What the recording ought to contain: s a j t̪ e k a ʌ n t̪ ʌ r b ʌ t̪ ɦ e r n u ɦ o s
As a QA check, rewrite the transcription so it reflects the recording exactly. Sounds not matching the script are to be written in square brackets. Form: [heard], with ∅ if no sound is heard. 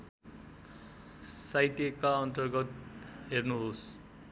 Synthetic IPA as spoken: s a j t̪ e k a ʌ n t̪ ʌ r [ɡ] ʌ t̪ ɦ e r n u ɦ o s